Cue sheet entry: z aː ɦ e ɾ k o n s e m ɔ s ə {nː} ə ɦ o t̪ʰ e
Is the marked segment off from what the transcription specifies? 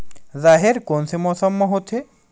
yes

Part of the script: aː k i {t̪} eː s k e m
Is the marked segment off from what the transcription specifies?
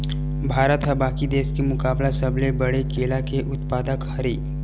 yes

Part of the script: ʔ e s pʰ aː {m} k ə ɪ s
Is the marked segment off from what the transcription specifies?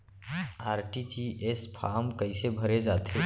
no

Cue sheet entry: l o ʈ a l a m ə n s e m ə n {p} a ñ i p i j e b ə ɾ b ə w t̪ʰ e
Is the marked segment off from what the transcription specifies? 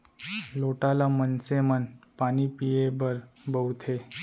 no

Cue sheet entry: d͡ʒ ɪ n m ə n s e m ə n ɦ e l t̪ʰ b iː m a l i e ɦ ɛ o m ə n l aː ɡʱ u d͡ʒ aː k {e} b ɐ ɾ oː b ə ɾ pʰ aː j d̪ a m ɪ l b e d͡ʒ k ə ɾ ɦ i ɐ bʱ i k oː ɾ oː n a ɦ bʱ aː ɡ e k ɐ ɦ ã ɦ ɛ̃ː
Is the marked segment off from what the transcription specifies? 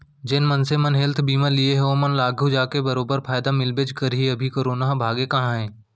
no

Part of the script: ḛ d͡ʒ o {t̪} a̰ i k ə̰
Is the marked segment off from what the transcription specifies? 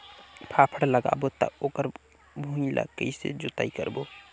no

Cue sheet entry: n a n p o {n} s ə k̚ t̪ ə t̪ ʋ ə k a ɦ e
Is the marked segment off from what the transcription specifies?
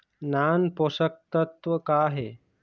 yes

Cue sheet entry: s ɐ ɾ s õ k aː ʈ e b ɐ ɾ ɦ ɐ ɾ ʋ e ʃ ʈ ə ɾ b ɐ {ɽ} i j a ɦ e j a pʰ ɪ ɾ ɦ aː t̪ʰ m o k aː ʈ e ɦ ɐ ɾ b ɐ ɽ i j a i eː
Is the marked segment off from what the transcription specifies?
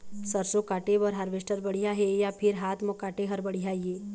no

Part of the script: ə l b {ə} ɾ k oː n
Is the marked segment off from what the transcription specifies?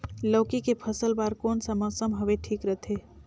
yes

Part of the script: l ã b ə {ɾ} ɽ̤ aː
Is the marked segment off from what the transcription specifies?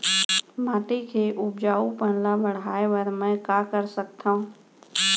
yes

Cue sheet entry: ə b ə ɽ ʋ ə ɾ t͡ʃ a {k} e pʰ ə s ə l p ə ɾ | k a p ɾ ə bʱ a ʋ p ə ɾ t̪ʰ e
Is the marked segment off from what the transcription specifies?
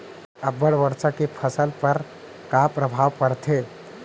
no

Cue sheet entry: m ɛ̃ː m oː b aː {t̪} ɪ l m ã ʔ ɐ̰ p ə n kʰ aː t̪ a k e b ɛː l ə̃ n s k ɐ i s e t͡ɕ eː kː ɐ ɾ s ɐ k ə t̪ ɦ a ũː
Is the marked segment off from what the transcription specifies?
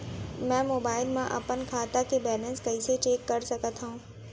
yes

